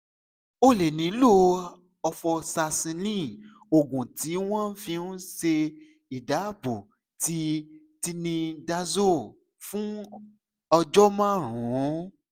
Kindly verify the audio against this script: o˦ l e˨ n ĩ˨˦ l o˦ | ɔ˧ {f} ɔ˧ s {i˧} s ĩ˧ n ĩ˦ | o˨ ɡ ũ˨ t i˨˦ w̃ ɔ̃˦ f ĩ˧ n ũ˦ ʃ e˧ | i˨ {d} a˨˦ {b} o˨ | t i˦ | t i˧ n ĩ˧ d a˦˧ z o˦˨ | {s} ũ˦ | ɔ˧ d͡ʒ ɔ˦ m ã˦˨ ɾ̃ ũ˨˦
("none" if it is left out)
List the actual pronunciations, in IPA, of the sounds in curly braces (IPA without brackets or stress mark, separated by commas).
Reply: f, a˧, d, b, f